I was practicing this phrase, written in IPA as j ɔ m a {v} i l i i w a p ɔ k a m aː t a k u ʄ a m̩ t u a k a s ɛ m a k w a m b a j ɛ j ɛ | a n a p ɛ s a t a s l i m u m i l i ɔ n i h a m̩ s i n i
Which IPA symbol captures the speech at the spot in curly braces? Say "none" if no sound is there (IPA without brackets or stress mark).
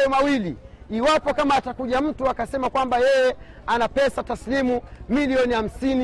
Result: w